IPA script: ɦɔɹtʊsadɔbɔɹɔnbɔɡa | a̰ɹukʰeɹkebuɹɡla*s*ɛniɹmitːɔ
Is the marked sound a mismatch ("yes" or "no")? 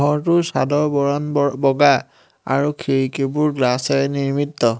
no